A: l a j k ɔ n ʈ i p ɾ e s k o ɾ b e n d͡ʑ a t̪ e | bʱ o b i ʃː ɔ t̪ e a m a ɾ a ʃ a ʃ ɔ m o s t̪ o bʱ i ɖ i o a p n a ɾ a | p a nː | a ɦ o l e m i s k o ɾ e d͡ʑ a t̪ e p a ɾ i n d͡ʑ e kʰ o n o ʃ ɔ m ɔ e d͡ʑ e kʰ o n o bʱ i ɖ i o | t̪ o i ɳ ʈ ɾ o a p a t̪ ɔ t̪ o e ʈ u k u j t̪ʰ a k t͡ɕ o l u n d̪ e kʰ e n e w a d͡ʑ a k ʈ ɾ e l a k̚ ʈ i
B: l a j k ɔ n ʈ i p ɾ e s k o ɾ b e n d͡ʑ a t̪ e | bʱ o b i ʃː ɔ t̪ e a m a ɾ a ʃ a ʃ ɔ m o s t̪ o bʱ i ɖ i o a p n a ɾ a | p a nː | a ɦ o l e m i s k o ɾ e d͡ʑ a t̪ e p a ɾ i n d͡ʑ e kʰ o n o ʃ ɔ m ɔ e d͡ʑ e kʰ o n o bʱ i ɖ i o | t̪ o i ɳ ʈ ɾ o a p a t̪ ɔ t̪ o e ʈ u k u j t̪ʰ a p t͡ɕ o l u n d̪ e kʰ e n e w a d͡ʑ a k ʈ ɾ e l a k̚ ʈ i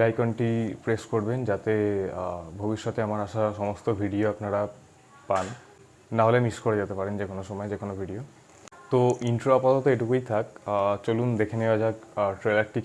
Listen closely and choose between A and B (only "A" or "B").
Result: A